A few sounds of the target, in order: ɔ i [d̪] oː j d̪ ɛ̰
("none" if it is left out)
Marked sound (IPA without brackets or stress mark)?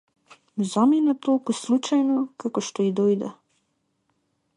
d̪